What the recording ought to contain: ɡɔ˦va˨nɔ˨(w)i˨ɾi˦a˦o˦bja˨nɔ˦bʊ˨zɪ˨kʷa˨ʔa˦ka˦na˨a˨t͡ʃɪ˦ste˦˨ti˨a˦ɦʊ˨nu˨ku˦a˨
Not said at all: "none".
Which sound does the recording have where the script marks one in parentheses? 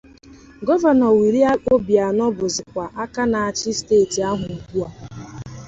w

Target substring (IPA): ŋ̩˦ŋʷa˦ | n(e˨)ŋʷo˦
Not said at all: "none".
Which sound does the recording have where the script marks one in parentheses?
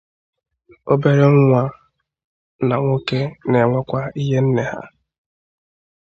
a˨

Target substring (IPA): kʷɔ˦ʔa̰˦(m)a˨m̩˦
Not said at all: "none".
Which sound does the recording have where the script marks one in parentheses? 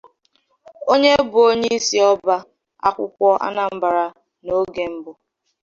n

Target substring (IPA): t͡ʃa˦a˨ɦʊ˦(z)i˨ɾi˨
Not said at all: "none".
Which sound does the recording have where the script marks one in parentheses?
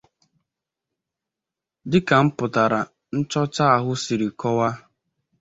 s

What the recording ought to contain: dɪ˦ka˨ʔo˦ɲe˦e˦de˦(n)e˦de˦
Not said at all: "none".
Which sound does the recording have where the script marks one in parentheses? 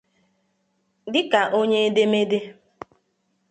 m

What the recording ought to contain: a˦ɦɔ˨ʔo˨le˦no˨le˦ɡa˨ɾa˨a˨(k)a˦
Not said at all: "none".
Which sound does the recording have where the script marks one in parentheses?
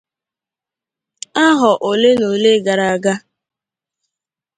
ɡ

